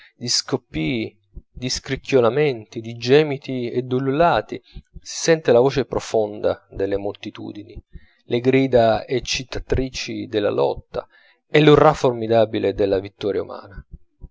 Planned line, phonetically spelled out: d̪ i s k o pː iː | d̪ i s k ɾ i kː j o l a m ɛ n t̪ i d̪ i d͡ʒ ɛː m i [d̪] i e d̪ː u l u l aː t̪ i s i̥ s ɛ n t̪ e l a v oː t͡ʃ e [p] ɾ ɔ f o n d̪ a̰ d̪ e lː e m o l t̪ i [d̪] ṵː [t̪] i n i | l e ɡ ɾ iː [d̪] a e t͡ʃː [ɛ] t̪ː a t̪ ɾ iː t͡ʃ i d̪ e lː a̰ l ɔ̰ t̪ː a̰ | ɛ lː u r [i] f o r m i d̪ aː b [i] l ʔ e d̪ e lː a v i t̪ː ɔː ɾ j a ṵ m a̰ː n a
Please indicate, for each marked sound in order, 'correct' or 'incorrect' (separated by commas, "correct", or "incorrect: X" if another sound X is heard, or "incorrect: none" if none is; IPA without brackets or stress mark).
incorrect: t̪, correct, incorrect: t̪, incorrect: d̪, correct, incorrect: i, incorrect: a, correct